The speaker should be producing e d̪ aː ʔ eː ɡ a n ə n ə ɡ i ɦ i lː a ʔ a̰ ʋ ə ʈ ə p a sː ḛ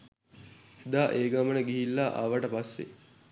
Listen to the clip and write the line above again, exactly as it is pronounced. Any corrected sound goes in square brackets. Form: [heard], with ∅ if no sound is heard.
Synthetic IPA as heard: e d̪ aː ʔ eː ɡ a [m] ə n ə ɡ i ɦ i lː a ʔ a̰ ʋ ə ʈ ə p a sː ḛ